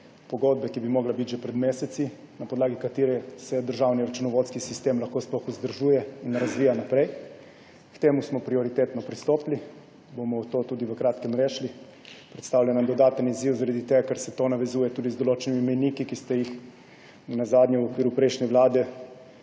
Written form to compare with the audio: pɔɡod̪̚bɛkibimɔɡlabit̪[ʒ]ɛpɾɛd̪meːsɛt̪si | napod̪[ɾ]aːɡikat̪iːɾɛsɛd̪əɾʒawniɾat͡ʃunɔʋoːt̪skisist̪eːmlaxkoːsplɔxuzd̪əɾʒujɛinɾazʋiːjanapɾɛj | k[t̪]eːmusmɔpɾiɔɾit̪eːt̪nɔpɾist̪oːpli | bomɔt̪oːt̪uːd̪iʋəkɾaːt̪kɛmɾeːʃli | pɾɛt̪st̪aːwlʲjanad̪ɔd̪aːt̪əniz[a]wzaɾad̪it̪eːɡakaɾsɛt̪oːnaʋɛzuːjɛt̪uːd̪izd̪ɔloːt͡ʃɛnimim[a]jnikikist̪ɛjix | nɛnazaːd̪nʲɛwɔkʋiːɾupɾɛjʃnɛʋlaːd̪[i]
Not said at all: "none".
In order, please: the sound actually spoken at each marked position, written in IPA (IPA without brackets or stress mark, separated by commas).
ʒ, l, t̪, i, ɛ, ɛ